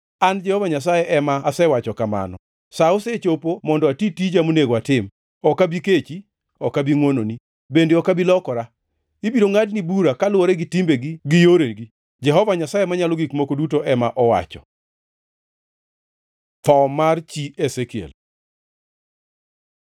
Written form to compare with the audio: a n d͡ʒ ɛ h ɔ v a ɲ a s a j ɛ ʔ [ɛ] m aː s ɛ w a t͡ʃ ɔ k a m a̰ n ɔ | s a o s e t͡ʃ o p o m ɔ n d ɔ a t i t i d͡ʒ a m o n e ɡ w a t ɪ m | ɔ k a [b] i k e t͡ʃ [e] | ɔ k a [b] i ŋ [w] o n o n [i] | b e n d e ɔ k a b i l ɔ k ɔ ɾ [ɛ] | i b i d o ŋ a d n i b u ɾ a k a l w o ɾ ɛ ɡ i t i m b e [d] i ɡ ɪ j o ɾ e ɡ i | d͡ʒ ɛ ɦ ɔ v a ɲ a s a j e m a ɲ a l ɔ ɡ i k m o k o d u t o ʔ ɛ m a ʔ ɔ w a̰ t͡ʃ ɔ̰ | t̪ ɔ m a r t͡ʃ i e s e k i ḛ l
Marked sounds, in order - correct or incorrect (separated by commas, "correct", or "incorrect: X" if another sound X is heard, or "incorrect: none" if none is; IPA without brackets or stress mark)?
correct, correct, incorrect: i, correct, correct, correct, incorrect: a, incorrect: ɡ